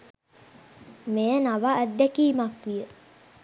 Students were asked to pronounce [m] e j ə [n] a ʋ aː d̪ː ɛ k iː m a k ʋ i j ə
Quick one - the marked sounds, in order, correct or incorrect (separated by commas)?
correct, correct